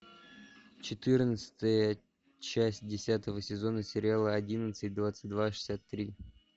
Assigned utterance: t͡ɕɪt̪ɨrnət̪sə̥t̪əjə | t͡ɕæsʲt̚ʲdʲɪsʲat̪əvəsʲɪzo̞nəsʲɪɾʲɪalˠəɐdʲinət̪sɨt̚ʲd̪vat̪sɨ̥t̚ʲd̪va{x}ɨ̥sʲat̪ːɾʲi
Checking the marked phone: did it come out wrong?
yes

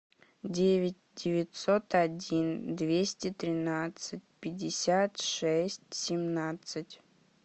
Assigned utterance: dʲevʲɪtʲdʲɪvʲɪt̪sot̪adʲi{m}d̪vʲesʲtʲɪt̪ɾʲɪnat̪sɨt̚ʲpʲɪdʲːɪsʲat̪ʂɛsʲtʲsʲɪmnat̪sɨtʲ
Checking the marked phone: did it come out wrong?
yes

